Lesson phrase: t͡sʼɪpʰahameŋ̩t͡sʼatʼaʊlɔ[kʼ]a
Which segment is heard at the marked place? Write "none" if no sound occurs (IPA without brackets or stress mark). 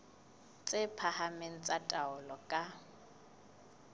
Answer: kʼ